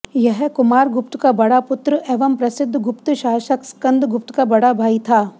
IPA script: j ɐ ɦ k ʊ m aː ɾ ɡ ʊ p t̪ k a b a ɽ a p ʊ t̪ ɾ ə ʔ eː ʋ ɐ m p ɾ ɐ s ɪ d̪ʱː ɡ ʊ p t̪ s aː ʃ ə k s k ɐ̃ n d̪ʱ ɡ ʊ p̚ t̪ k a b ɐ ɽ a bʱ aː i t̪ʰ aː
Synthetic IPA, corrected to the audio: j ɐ ɦ k ʊ m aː ɾ ɡ ʊ p t̪ k a b ɐ ɽ a p ʊ t̪ ɾ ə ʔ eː ʋ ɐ m p ɾ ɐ s ɪ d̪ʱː ɡ ʊ p t̪ ʃ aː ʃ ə k s k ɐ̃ n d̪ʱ ɡ ʊ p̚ t̪ k a b ɐ ɽ a bʱ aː i t̪ʰ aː